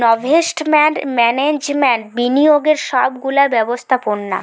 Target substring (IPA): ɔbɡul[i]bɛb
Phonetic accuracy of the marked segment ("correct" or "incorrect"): incorrect